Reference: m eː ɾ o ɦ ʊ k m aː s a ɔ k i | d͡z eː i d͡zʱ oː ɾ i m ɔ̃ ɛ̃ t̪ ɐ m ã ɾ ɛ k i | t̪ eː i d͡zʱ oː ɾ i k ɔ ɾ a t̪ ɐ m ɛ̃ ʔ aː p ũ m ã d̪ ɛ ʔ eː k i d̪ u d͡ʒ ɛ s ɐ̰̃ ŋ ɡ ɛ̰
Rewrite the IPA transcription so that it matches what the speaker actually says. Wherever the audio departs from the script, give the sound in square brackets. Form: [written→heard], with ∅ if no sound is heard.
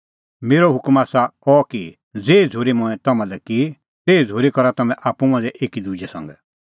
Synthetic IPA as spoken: m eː ɾ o ɦ ʊ k m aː s a ɔ k i | d͡z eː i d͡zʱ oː ɾ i m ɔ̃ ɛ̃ t̪ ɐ m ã [ɾ→l] ɛ k i | t̪ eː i d͡zʱ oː ɾ i k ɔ ɾ a t̪ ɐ m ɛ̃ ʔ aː p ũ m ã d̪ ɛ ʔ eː k i d̪ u d͡ʒ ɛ s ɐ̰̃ ŋ ɡ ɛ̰